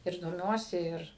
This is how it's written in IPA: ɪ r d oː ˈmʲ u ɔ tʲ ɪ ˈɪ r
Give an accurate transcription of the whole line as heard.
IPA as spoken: ɪ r d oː ˈmʲ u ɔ sʲ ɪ ˈɪ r